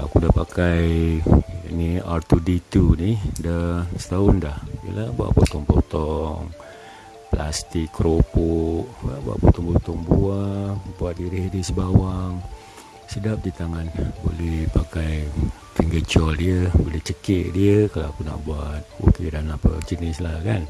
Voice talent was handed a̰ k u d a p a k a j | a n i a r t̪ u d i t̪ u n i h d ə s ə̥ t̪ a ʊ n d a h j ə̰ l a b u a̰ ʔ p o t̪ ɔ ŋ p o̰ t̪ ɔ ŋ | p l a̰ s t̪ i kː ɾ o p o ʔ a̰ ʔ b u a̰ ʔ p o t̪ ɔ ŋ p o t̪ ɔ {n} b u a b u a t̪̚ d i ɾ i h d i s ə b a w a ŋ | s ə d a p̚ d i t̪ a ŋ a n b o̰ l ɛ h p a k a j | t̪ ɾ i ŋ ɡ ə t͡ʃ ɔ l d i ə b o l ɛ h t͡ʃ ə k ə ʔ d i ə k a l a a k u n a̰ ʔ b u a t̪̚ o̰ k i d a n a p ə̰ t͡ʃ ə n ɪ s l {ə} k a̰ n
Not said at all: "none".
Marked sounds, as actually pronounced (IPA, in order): ŋ, a

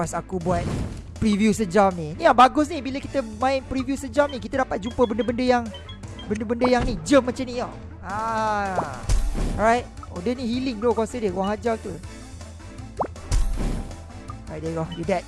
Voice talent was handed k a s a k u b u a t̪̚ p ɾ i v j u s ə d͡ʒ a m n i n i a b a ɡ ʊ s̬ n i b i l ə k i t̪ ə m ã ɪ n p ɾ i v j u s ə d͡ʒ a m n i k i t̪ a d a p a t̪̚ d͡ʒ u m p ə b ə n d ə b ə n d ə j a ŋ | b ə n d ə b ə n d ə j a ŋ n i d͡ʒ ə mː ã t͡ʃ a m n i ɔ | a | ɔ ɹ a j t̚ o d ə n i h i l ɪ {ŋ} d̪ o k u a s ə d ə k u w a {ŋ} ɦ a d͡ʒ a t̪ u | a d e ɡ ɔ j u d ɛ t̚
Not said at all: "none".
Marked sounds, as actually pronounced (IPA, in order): ŋ, ŋ

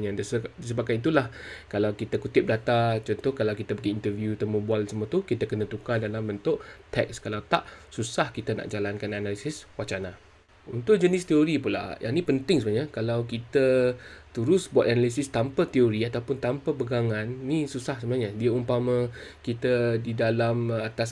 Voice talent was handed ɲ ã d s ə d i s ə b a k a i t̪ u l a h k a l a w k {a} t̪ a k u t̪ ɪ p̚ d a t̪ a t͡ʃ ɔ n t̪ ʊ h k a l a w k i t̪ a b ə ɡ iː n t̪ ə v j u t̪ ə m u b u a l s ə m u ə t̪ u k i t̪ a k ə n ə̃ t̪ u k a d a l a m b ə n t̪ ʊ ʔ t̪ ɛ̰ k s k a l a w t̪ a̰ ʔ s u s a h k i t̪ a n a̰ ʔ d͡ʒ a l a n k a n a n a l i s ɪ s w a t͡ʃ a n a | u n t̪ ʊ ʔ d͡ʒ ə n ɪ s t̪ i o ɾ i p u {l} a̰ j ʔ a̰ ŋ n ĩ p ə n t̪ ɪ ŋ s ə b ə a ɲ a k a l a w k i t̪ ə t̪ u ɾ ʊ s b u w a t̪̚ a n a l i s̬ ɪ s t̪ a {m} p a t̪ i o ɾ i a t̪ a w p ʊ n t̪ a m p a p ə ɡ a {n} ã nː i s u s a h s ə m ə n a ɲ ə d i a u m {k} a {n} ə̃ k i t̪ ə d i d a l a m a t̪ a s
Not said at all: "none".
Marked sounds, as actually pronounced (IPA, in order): i, l, m, ŋ, p, m

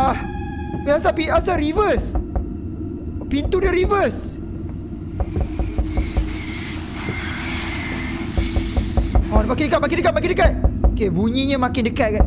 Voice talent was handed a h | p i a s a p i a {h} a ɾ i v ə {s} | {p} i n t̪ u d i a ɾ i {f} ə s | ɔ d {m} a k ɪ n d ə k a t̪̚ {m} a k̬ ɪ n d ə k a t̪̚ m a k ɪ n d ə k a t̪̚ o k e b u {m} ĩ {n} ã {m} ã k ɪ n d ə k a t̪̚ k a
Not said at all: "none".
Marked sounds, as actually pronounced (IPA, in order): s, s, p, v, m, m, ɲ, ɲ, m

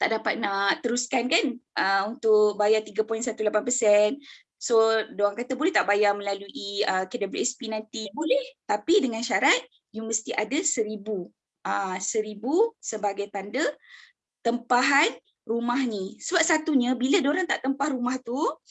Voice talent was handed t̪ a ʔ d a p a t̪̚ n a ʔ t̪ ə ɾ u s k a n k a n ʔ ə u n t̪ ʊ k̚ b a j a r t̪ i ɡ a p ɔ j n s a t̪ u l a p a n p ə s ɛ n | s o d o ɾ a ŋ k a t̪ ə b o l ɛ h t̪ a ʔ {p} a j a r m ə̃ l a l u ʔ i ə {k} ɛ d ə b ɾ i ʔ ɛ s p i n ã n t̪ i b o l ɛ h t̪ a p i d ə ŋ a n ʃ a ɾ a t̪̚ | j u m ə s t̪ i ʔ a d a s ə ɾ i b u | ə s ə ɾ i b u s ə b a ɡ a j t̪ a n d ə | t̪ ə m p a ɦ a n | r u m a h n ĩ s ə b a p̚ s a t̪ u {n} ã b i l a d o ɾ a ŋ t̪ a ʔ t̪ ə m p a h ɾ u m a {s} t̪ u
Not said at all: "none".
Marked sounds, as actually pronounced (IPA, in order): b, k, ɲ, h

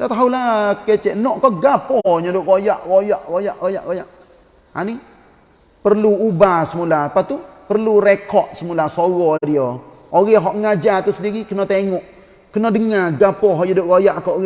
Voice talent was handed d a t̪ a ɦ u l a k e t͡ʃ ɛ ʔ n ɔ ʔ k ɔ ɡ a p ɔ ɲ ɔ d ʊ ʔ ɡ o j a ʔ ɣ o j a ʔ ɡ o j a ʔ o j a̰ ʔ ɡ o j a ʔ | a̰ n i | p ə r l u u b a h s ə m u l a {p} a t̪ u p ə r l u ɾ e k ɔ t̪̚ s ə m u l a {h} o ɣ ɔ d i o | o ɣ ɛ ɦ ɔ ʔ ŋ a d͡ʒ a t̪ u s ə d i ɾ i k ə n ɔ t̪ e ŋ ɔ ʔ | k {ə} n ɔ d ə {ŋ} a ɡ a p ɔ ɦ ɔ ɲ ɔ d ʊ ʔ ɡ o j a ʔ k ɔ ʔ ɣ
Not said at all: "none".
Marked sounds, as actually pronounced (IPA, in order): p, s, ə, ŋ

